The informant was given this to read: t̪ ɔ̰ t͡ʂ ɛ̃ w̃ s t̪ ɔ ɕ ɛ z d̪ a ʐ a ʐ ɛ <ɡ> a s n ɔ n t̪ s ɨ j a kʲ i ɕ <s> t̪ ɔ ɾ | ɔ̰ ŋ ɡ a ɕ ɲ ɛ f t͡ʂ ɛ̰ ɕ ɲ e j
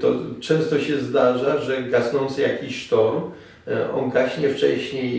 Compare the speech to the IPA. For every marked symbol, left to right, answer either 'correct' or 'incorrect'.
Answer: correct, incorrect: ʂ

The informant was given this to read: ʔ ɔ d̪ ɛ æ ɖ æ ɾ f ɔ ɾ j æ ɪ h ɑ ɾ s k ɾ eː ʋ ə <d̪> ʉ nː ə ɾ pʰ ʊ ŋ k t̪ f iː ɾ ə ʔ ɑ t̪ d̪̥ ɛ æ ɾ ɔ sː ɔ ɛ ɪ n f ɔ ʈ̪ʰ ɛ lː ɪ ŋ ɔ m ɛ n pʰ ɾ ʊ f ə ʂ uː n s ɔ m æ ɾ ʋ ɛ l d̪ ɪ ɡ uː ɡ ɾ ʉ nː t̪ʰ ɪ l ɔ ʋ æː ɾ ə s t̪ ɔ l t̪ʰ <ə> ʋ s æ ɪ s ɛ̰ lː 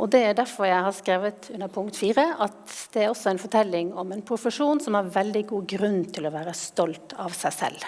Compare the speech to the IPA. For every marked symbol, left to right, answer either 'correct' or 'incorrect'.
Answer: incorrect: t̪, incorrect: ɑ

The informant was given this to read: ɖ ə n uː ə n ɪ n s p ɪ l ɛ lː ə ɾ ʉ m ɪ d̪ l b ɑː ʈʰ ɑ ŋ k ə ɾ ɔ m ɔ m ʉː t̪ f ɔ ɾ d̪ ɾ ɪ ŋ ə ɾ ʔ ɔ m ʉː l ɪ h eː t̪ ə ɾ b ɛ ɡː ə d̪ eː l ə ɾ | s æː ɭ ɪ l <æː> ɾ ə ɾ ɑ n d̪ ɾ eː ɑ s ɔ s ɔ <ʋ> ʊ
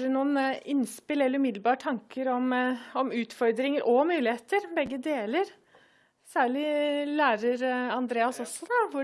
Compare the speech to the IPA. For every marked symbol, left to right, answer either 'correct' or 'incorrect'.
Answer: correct, correct

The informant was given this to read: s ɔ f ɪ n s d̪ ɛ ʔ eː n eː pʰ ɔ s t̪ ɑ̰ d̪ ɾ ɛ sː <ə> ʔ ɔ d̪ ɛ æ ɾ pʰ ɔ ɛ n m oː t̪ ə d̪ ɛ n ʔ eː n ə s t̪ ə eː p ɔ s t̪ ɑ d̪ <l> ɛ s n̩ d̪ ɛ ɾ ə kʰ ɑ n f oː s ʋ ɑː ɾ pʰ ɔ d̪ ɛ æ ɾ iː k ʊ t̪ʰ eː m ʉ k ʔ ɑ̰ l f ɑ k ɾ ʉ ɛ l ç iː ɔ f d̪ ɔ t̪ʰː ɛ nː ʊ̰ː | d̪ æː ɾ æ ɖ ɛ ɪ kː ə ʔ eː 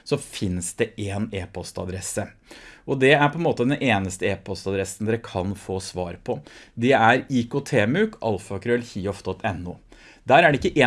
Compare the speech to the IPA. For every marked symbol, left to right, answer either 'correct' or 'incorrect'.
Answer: correct, incorrect: ɾ

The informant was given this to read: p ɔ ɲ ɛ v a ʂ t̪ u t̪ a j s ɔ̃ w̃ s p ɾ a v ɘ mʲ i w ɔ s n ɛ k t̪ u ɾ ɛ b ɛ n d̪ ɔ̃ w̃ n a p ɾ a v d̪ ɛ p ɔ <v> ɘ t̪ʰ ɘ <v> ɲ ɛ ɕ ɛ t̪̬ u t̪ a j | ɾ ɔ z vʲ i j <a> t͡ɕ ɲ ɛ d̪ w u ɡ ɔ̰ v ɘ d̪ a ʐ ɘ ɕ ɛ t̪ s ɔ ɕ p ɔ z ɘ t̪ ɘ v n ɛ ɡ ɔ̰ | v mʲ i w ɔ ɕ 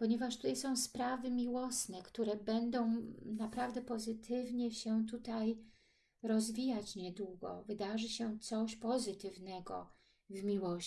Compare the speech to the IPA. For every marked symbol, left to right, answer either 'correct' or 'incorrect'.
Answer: incorrect: z, correct, correct

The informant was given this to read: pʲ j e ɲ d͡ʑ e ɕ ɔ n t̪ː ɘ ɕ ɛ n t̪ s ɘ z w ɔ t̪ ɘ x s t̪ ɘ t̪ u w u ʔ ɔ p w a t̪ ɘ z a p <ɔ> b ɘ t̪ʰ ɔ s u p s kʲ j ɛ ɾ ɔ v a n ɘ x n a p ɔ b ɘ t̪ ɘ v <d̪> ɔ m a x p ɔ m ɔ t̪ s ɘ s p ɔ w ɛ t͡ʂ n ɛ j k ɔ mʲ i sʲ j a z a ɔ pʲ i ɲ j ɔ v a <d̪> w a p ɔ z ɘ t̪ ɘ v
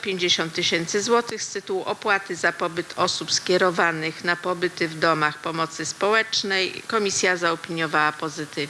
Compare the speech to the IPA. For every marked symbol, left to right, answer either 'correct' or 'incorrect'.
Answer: correct, correct, incorrect: none

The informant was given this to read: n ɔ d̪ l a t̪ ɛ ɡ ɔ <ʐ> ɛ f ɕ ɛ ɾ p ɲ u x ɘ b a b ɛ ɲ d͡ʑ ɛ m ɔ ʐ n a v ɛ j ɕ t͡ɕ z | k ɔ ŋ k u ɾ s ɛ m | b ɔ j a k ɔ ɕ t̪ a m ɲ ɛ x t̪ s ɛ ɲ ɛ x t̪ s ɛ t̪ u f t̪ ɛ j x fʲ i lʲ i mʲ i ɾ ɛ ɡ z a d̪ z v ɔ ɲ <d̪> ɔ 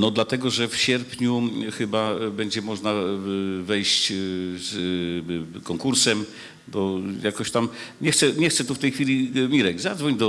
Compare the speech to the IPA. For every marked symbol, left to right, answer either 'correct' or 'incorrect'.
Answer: correct, correct

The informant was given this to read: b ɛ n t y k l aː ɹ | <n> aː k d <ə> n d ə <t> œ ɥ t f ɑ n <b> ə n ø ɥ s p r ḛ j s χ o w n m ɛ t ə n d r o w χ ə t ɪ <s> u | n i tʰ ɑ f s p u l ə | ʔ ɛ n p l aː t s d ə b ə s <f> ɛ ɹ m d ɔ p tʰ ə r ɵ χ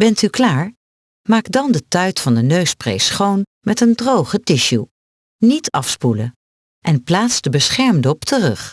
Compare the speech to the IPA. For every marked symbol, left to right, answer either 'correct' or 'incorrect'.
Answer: incorrect: m, incorrect: ɑ, correct, incorrect: d, incorrect: ʃ, incorrect: χ

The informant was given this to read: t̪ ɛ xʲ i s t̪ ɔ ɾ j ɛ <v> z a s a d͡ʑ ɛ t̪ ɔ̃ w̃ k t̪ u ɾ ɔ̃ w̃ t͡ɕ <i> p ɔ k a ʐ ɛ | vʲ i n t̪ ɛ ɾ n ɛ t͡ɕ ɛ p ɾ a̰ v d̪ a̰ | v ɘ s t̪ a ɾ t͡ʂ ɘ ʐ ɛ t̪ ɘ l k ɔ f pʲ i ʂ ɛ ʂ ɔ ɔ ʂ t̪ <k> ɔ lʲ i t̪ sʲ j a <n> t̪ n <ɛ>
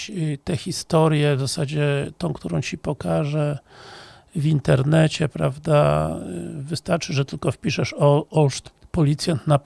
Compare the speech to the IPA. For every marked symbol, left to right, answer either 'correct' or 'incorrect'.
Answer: correct, correct, incorrect: p, correct, incorrect: a

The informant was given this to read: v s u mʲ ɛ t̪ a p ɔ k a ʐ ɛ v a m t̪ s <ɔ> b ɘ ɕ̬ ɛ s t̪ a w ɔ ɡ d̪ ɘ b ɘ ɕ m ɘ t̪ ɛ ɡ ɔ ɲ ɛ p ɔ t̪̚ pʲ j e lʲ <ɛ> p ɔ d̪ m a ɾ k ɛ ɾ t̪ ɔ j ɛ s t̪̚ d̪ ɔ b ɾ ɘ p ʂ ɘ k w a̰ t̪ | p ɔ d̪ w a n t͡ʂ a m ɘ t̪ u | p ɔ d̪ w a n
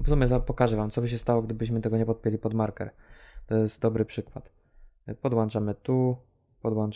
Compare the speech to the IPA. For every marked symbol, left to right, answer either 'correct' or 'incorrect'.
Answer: correct, incorrect: i

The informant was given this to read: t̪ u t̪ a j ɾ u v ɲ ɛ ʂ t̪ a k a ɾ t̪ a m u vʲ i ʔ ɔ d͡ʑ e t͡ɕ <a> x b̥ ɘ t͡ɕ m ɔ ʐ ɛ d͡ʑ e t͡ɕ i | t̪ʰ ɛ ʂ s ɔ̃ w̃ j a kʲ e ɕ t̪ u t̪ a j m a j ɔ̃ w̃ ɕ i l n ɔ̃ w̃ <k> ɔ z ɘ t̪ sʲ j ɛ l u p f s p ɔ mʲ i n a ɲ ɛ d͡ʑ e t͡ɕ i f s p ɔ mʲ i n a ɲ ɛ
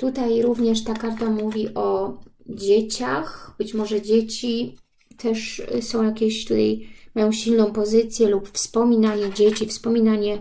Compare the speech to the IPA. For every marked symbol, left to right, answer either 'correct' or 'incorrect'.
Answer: correct, incorrect: p

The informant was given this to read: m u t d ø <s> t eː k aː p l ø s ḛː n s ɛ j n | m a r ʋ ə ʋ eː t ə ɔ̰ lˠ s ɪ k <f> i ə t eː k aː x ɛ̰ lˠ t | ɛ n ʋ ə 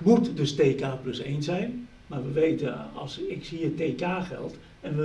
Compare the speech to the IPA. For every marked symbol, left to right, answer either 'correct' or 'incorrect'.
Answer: correct, incorrect: s

